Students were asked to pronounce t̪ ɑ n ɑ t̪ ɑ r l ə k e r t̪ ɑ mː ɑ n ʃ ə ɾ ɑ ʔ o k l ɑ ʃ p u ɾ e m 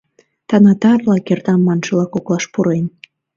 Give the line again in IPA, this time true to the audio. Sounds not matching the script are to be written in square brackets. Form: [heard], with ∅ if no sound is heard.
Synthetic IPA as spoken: t̪ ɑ n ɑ t̪ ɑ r l [ɑ] k e r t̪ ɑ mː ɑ n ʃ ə [l] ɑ [k] o k l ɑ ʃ p u ɾ e [n]